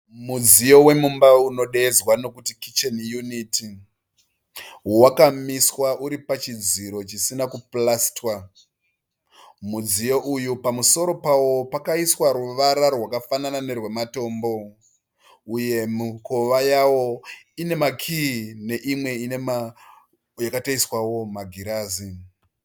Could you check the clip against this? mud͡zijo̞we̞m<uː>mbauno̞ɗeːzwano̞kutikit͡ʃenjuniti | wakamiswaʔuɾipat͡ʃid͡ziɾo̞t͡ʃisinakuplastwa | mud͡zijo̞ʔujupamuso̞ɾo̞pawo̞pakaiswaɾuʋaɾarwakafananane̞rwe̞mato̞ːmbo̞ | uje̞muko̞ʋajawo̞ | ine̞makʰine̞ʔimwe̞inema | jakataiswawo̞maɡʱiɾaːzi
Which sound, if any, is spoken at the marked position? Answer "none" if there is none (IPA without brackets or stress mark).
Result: u